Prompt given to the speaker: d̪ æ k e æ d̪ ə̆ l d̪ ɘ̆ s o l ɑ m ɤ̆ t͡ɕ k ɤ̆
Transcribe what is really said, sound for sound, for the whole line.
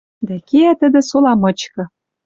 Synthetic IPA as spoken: d̪ æ k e æ t̪ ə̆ d̪ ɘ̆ s o l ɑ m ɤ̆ t͡ɕ k ɤ̆